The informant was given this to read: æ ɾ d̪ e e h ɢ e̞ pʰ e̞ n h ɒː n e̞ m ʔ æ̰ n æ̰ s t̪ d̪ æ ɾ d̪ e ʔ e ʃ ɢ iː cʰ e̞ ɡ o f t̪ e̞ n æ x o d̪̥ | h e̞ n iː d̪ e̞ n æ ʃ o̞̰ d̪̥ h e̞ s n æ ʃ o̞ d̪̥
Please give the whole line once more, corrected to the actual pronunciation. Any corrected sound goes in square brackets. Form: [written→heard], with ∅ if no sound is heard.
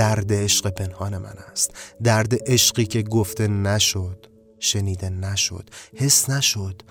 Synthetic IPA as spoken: æ ɾ d̪ e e [h→ʃ] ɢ e̞ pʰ e̞ n h ɒː n e̞ m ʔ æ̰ n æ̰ s t̪ d̪ æ ɾ d̪ e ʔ e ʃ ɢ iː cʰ e̞ ɡ o f t̪ e̞ n æ [x→ʃ] o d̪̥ | [h→ʃ] e̞ n iː d̪ e̞ n æ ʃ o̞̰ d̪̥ h e̞ s n æ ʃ o̞ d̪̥